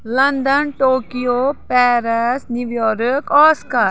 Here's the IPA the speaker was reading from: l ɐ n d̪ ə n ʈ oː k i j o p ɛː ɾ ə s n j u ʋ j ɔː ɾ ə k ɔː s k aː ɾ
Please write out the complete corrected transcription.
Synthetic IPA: l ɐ n d̪ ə n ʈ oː k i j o p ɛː ɾ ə s n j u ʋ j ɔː ɾ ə k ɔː s k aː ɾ

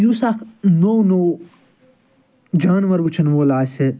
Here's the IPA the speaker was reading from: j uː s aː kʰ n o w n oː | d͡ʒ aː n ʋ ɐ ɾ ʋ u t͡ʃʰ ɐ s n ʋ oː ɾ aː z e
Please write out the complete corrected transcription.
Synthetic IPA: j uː s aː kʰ n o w n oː | d͡ʒ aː n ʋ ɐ ɾ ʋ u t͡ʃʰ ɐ n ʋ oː l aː s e

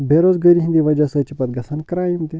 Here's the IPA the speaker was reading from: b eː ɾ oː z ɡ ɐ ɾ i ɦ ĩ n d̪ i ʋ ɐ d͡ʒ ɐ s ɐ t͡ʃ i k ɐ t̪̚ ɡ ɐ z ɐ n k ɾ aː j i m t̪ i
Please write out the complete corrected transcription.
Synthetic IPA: b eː ɾ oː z ɡ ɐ ɾ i ɦ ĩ n d̪ i ʋ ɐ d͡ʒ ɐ s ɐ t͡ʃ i p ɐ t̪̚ ɡ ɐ s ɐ n k ɾ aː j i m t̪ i

